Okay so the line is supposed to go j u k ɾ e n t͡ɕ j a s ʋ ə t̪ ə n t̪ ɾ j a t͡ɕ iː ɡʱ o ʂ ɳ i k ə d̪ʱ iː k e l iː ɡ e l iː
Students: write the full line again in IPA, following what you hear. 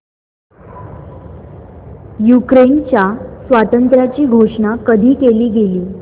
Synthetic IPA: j u k ɾ e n t͡ɕ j a s ʋ a t̪ ə n t̪ ɾ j a t͡ɕ iː ɡʱ o ʂ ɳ a k ə d̪ʱ iː k e l iː ɡ e l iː